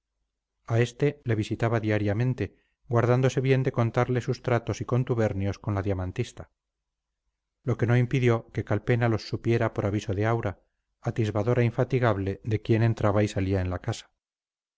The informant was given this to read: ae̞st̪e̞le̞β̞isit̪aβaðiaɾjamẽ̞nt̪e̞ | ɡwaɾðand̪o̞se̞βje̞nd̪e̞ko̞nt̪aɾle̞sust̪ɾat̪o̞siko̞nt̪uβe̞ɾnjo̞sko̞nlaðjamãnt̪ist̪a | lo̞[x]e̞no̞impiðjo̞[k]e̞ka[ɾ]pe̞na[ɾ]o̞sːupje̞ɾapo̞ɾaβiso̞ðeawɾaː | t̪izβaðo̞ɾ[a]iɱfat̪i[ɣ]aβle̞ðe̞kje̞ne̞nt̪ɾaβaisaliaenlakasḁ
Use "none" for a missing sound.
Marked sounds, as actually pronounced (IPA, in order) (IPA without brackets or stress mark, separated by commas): k, k, l, l, a, ɣ